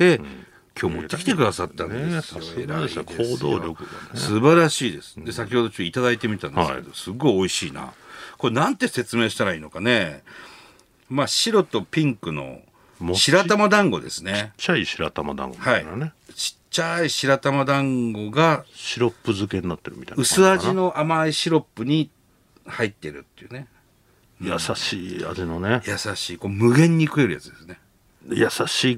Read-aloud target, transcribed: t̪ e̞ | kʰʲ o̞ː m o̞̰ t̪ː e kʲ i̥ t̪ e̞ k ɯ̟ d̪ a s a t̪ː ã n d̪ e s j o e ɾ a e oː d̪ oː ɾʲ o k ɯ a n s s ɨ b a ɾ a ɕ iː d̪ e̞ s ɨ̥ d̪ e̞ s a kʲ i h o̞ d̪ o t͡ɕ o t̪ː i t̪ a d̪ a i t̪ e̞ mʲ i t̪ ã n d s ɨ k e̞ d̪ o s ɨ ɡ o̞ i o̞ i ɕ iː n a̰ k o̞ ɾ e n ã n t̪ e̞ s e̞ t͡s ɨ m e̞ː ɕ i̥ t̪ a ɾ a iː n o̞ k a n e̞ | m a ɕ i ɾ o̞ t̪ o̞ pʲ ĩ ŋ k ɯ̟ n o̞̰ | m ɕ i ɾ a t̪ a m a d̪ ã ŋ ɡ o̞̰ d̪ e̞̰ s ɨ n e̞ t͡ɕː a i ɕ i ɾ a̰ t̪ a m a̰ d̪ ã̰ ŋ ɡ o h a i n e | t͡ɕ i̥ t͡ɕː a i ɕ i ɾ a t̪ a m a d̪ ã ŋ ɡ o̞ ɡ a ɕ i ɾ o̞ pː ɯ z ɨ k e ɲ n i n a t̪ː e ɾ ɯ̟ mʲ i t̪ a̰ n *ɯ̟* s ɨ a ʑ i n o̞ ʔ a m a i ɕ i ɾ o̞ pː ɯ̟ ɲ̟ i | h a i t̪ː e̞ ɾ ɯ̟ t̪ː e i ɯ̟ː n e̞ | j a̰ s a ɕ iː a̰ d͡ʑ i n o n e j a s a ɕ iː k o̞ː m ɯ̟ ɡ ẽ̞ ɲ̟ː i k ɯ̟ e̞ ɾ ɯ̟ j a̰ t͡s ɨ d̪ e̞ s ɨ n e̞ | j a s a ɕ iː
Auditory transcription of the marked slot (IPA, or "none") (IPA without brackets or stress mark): ɯ̟